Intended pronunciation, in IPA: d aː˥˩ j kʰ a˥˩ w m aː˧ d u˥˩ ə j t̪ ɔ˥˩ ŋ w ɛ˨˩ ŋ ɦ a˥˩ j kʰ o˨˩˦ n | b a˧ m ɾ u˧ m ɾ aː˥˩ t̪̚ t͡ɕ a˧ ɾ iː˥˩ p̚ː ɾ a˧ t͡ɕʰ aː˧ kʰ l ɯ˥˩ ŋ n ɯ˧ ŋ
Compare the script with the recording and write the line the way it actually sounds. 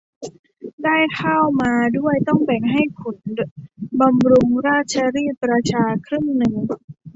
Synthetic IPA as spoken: d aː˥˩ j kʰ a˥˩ w m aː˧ d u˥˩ ə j t̪ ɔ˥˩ ŋ b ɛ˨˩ ŋ ɦ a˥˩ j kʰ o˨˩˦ n | b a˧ m ɾ u˧ ŋ ɾ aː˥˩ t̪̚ t͡ɕʰ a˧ ɾ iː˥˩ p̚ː ɾ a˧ t͡ɕʰ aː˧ kʰ ɾ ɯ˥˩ ŋ n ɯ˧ ŋ